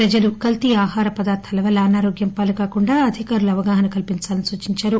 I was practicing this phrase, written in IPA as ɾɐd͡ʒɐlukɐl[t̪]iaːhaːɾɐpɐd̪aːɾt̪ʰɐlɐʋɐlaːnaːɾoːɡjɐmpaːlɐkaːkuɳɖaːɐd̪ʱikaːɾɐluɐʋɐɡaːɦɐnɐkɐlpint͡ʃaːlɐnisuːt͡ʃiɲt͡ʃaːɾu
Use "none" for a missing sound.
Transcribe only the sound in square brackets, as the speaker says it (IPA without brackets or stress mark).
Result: t̪